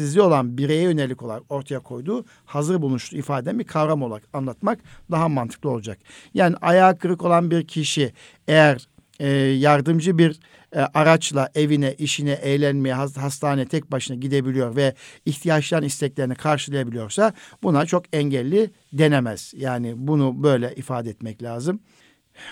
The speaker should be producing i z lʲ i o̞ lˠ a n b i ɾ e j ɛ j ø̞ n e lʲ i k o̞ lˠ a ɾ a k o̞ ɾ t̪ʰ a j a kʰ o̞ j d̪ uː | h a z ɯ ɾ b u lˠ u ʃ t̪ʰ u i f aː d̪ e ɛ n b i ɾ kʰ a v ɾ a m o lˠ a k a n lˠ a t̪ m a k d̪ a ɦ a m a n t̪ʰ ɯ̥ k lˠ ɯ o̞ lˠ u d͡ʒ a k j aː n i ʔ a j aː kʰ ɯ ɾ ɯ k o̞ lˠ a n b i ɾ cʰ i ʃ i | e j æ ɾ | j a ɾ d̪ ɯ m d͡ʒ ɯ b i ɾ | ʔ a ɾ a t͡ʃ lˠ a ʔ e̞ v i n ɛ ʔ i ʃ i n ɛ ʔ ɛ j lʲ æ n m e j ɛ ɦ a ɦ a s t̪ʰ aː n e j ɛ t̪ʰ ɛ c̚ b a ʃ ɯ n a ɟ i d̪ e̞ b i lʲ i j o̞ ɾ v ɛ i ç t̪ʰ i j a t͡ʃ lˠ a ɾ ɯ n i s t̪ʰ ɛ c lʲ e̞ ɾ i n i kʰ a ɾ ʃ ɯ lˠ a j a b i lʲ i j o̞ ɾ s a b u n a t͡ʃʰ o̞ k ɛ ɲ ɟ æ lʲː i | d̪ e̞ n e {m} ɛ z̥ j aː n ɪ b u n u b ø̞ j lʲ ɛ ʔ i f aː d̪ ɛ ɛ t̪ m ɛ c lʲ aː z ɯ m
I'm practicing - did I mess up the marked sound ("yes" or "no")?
no